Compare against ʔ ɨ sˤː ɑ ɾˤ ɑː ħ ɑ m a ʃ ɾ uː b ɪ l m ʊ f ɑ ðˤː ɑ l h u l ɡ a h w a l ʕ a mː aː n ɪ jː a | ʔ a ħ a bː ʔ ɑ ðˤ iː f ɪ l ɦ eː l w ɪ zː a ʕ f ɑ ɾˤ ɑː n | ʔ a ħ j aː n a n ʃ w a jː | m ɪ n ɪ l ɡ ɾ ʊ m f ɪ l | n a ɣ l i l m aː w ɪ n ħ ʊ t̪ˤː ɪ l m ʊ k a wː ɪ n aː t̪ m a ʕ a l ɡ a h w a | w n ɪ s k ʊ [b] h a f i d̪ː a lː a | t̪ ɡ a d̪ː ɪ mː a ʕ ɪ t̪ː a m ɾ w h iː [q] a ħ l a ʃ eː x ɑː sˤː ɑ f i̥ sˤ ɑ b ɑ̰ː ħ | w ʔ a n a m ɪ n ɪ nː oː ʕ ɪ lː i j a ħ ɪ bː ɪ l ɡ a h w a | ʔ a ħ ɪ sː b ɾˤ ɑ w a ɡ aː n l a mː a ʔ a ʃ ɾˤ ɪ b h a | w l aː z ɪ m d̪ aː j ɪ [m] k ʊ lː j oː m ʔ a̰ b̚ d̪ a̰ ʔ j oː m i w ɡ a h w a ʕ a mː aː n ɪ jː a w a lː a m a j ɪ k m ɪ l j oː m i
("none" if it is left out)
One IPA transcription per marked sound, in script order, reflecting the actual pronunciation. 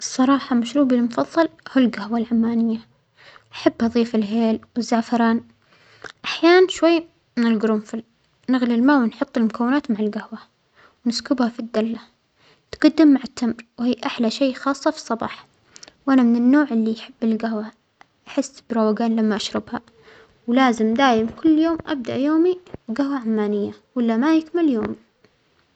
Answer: b, ʔ, m

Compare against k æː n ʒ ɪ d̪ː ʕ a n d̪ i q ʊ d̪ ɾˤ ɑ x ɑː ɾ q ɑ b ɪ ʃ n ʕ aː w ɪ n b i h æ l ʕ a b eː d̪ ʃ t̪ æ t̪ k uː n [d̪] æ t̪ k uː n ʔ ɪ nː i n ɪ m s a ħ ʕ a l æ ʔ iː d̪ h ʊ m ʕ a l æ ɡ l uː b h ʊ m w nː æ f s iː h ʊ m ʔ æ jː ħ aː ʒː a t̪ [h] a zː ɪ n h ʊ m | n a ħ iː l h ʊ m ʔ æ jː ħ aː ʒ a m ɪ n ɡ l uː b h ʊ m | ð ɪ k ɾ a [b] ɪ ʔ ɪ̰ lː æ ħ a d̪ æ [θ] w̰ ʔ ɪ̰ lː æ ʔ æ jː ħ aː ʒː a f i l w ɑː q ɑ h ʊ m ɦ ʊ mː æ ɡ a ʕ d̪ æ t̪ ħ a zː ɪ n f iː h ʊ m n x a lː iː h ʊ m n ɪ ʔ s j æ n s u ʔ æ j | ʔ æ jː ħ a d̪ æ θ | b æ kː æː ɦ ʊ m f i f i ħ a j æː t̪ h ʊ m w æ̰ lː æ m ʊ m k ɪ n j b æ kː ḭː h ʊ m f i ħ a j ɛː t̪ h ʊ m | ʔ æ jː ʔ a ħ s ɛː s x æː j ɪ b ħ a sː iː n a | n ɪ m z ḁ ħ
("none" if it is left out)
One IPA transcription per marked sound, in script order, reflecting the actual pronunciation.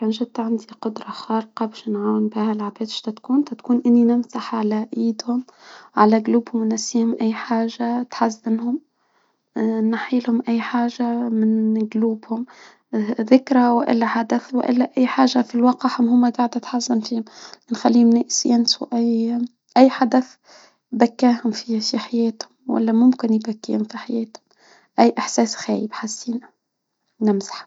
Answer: t̪, ħ, w, θ

